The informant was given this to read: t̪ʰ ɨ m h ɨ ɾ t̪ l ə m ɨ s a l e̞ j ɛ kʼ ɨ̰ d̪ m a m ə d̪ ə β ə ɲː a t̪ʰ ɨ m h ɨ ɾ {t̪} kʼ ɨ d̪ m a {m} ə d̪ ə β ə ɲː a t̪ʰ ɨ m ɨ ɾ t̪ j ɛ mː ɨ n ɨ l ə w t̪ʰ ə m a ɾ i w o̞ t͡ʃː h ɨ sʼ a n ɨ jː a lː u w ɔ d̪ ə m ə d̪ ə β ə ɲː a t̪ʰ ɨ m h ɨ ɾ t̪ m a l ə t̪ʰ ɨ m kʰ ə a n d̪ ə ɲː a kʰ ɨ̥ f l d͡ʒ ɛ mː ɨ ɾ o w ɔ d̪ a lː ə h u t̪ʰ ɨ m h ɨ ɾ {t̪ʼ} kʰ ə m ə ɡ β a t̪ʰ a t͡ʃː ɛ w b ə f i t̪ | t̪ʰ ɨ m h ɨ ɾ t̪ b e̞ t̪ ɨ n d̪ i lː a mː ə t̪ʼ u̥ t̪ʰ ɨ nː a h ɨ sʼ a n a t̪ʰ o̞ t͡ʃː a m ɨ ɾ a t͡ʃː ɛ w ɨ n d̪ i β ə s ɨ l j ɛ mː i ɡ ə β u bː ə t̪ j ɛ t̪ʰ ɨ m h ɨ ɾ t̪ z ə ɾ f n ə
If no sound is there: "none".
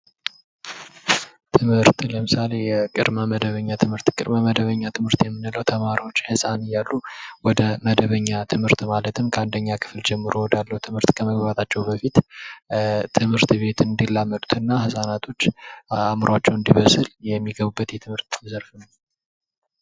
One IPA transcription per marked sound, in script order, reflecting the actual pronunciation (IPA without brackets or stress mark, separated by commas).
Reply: t̪, m, t̪